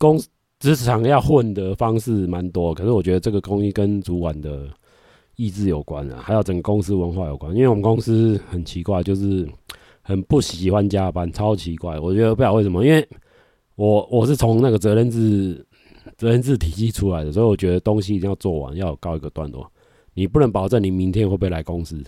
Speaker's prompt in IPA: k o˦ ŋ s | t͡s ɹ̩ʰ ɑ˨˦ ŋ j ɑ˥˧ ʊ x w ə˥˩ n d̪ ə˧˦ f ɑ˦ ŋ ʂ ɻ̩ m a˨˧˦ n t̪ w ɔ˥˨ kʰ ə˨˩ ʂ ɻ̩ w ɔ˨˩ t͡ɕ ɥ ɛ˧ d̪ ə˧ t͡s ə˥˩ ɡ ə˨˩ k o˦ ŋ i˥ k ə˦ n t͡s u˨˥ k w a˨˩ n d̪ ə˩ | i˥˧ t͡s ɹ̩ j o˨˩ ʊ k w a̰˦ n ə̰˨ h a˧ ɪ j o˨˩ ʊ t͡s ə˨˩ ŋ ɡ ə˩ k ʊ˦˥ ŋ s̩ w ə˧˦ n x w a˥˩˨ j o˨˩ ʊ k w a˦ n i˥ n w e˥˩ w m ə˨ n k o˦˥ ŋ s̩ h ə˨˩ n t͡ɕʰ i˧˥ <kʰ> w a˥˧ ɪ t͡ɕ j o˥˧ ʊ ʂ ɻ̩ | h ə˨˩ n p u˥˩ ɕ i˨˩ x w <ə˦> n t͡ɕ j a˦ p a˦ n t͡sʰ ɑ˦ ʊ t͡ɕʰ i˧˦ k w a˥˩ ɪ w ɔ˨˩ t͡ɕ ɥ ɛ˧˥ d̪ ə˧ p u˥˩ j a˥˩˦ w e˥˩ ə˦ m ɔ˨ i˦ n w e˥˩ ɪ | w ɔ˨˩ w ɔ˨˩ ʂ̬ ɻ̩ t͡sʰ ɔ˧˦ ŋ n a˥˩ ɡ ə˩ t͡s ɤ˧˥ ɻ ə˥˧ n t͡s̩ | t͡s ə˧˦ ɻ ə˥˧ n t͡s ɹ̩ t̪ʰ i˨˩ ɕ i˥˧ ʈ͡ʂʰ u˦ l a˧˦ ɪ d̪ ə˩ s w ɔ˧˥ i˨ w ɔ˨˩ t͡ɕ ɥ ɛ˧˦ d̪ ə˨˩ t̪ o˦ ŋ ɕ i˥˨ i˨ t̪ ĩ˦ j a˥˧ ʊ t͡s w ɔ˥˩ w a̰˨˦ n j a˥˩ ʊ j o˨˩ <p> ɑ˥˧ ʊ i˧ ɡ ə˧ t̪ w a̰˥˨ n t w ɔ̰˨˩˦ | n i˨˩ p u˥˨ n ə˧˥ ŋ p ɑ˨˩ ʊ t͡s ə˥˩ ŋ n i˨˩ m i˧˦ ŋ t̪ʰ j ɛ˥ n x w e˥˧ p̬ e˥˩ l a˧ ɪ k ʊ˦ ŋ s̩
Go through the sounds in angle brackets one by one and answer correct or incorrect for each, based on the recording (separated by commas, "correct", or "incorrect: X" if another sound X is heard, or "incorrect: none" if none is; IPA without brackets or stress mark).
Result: incorrect: k, incorrect: a˦, incorrect: k